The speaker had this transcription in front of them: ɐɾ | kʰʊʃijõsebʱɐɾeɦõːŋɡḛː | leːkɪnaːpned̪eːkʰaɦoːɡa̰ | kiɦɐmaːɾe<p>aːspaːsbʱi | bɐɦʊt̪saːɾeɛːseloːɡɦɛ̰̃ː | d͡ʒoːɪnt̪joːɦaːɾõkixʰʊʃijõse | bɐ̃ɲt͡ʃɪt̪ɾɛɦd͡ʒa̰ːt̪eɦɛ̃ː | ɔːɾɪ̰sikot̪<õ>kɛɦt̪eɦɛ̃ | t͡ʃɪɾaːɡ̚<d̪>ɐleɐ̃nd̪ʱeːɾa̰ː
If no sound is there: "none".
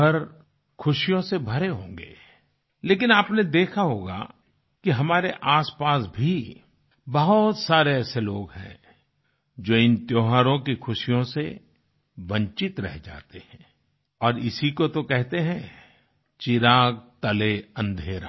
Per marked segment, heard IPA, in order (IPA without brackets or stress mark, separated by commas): ʔ, o, t̪